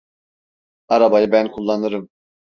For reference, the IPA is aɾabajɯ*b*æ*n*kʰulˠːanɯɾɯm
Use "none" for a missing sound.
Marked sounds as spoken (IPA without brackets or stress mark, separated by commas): b, n